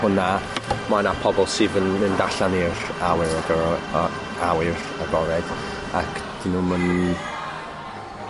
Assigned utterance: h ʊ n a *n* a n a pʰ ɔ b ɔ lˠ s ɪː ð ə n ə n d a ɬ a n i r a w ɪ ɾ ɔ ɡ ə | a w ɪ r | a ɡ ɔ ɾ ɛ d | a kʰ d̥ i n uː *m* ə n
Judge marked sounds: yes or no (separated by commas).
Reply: no, yes